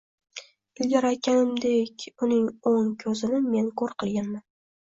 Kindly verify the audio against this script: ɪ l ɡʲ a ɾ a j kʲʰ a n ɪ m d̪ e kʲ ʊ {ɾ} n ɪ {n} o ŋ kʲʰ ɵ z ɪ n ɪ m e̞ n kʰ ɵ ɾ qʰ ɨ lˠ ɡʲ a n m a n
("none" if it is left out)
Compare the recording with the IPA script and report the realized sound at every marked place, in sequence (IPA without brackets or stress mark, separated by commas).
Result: none, ŋ